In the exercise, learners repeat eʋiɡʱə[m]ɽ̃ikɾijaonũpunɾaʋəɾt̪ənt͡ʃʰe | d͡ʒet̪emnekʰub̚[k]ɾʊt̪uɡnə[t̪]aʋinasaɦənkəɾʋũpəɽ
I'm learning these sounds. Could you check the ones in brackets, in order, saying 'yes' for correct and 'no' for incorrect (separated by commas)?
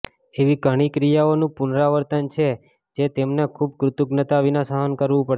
no, yes, yes